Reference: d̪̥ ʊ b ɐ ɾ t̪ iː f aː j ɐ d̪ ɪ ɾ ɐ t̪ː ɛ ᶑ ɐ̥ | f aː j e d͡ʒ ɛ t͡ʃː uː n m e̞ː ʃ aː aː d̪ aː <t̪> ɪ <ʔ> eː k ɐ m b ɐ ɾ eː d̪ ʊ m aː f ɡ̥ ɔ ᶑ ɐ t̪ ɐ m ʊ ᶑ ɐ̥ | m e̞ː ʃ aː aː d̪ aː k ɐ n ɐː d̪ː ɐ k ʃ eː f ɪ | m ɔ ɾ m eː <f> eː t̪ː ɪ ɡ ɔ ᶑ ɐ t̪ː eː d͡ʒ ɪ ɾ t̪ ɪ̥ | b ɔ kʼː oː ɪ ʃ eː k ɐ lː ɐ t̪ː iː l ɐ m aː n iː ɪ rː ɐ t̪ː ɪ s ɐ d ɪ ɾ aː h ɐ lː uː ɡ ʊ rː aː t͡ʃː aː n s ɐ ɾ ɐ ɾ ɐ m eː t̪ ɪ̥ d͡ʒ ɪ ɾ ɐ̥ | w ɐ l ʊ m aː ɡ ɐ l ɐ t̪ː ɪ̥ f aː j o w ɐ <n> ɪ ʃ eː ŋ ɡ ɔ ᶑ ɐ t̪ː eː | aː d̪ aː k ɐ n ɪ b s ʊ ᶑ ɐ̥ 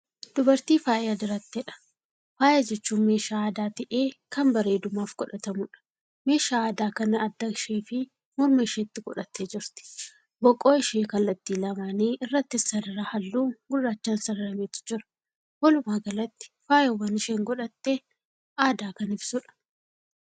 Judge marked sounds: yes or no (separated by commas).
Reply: yes, yes, no, yes